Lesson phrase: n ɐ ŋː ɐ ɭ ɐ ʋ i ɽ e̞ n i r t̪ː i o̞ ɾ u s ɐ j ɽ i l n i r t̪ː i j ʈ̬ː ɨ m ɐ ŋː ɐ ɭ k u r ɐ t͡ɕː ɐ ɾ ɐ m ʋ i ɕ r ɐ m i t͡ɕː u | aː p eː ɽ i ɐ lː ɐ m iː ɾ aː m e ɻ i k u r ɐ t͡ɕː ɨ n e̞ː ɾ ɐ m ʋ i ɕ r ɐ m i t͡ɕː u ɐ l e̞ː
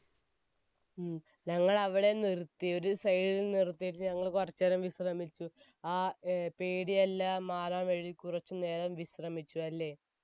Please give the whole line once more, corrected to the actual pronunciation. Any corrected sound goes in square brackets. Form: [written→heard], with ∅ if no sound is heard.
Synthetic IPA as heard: [n→ɲ] ɐ ŋː ɐ ɭ ɐ ʋ i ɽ e̞ n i r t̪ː i o̞ ɾ u s ɐ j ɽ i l n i r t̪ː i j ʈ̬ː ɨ [m→ɲ] ɐ ŋː ɐ ɭ k u r ɐ t͡ɕː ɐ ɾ ɐ m ʋ i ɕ r ɐ m i t͡ɕː u | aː p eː ɽ i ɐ lː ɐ m [iː→aː] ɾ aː m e ɻ i k u r ɐ t͡ɕː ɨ n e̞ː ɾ ɐ m ʋ i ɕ r ɐ m i t͡ɕː u ɐ [l→lː] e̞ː